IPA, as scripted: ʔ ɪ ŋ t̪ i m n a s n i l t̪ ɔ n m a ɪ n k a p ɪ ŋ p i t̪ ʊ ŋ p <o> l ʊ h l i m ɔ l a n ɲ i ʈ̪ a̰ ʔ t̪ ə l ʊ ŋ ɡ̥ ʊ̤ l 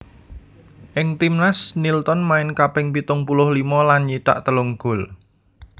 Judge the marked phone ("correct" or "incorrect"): incorrect